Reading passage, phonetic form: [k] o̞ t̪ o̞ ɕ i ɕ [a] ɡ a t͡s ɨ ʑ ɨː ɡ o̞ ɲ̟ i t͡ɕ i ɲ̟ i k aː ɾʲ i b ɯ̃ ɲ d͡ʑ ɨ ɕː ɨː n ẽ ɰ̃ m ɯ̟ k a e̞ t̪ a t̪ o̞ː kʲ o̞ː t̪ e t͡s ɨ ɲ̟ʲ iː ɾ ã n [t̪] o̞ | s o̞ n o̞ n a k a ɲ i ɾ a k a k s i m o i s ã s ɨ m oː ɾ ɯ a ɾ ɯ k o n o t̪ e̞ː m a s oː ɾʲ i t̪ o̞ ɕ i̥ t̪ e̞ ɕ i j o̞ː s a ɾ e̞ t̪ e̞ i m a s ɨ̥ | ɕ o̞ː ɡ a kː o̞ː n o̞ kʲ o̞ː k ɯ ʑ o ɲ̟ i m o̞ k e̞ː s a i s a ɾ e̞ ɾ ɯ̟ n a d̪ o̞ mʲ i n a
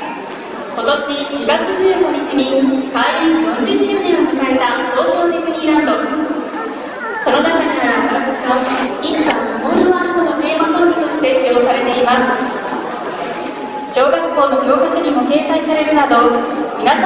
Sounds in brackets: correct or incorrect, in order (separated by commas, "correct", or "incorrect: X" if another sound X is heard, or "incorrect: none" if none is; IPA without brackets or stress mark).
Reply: correct, incorrect: i, incorrect: d̪